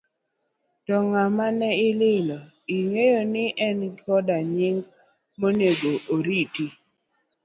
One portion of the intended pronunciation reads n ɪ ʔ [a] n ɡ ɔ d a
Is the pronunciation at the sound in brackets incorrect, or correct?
incorrect